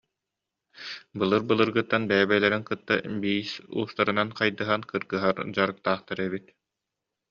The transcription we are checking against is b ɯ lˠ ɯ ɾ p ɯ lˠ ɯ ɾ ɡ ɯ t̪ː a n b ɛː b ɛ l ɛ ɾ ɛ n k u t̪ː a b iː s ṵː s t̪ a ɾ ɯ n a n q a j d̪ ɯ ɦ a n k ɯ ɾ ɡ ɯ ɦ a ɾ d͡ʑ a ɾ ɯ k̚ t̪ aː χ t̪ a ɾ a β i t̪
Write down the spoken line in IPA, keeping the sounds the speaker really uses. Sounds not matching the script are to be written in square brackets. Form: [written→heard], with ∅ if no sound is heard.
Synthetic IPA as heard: b ɯ lˠ ɯ ɾ [p→b] ɯ lˠ ɯ ɾ ɡ ɯ t̪ː a n b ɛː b ɛ l ɛ ɾ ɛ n k [u→ɯ] t̪ː a b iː s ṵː s t̪ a ɾ ɯ n a n q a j d̪ ɯ ɦ a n k ɯ ɾ ɡ ɯ ɦ a ɾ d͡ʑ a ɾ ɯ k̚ t̪ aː χ t̪ a ɾ [a→ɛ] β i t̪